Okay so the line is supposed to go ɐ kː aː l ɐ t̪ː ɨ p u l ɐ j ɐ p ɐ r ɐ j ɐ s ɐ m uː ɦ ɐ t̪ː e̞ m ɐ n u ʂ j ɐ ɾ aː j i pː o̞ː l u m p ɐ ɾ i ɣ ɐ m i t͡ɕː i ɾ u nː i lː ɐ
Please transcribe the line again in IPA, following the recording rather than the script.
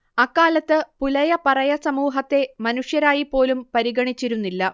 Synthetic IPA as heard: ɐ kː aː l ɐ t̪ː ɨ p u l ɐ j ɐ p ɐ r ɐ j ɐ s ɐ m uː ɦ ɐ t̪ː e̞ m ɐ n u ʂ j ɐ ɾ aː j i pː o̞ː l u m p ɐ ɾ i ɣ ɐ ɳ i t͡ɕː i ɾ u nː i lː ɐ

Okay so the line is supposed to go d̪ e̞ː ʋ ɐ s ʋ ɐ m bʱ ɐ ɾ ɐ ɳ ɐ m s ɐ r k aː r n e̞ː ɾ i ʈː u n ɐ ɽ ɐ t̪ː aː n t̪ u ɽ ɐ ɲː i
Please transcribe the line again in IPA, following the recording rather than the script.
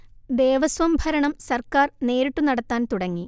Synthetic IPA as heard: d̪ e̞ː ʋ ɐ s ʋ ɐ m bʱ ɐ ɾ ɐ ɳ ɐ m s ɐ r k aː r n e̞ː ɾ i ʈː u n ɐ ɽ ɐ t̪ː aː n t̪ u ɽ ɐ ŋː i

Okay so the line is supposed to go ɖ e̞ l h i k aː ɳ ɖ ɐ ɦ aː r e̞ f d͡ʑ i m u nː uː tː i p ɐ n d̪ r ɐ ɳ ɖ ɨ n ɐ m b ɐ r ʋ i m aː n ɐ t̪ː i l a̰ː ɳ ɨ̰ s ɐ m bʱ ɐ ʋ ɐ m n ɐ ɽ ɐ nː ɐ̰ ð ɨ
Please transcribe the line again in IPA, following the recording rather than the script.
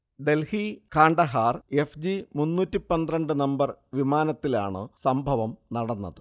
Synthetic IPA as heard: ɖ e̞ l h i k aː ɳ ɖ ɐ ɦ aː r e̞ f d͡ʑ i m u nː uː tː i p ɐ n d̪ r ɐ ɳ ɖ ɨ n ɐ m b ɐ r ʋ i m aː n ɐ t̪ː i l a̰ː ɳ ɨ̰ s ɐ m bʱ ɐ ʋ ɐ m n ɐ ɽ ɐ nː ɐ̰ ð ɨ

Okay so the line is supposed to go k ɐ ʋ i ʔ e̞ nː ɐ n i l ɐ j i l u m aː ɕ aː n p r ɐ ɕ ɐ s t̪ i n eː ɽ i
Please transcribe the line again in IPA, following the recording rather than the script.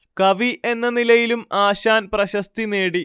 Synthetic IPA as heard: k ɐ ʋ i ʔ e̞ nː ɐ n i l ɐ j i l u m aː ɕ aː n p r ɐ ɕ ɐ s t̪ i n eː ɽ i

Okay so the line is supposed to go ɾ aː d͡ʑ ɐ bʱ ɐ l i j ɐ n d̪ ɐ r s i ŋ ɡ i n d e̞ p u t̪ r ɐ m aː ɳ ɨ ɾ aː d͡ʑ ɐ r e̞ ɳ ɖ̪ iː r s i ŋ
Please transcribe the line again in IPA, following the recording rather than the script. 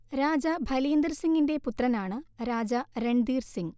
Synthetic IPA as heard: ɾ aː d͡ʑ ɐ bʱ ɐ l i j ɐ n d̪ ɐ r s i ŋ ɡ i n d e̞ p u t̪ r ɐ n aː ɳ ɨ ɾ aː d͡ʑ ɐ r e̞ ɳ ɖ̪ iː r s i ŋ

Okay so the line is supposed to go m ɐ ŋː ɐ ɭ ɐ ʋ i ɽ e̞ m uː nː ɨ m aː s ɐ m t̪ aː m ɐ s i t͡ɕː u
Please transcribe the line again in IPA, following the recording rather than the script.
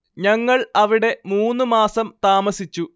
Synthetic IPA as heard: ɲ ɐ ŋː ɐ ɭ ɐ ʋ i ɽ e̞ m uː nː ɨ m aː s ɐ m t̪ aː m ɐ s i t͡ɕː u

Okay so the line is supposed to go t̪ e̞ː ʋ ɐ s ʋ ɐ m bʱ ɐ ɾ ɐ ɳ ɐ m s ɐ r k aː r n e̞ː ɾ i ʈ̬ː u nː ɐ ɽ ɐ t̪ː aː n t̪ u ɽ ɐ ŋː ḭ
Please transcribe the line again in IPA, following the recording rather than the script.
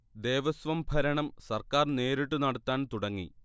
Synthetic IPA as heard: d̪ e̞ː ʋ ɐ s ʋ ɐ m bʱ ɐ ɾ ɐ ɳ ɐ m s ɐ r k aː r n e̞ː ɾ i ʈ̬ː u n ɐ ɽ ɐ t̪ː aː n t̪ u ɽ ɐ ŋː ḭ

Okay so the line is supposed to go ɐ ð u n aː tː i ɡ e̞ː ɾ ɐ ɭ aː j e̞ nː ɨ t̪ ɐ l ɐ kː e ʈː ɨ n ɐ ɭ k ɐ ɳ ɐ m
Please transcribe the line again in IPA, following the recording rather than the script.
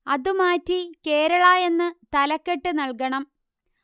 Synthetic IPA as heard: ɐ ð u m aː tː i k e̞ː ɾ ɐ ɭ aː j e̞ nː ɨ t̪ ɐ l ɐ kː e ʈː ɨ n ɐ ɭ k ɐ ɳ ɐ m

